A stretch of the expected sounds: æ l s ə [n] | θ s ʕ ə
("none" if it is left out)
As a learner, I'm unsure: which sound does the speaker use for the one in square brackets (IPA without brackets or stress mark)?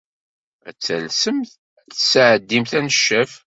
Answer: m